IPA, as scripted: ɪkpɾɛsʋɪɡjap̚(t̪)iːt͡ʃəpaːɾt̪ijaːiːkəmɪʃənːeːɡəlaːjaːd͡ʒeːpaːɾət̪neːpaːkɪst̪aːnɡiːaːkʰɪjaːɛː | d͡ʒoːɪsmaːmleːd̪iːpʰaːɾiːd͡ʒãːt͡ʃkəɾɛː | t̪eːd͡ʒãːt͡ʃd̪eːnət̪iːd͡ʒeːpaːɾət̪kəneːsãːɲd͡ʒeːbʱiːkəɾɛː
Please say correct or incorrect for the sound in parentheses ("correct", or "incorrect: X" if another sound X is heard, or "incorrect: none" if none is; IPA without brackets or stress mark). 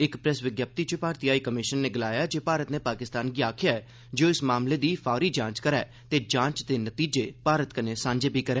correct